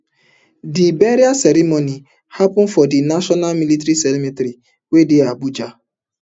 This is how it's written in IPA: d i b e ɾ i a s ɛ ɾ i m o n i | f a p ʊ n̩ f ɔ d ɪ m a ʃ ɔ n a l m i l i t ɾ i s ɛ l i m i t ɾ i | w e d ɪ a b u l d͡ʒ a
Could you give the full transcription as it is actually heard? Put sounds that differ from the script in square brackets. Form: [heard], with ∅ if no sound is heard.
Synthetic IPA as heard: d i b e ɾ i a s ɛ ɾ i m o n i | [h] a p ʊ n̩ f ɔ d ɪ [n] a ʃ ɔ n a l m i l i t ɾ i s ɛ l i m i t ɾ i | w e d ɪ a b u [∅] d͡ʒ a